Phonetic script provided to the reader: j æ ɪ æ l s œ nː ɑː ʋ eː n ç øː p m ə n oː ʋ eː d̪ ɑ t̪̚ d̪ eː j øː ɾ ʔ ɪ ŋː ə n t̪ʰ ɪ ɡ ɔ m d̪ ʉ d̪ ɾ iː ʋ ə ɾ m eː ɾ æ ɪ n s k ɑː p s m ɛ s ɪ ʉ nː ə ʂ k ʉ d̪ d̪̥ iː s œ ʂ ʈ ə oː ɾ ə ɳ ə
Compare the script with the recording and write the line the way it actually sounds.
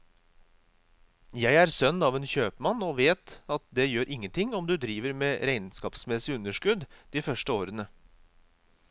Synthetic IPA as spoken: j æ ɪ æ ɾ s œ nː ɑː ʋ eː n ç øː p m ɑ n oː ʋ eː t̪ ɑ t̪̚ d̪ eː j øː ɾ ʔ ɪ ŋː ə n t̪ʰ ɪ ŋ ɔ m d̪ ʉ d̪ ɾ iː ʋ ə ɾ m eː ɾ æ ɪ n s k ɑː p s m ɛ s ɪ ʉ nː ə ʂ k ʉ d̪ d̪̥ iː f œ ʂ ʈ ə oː ɾ ə n ə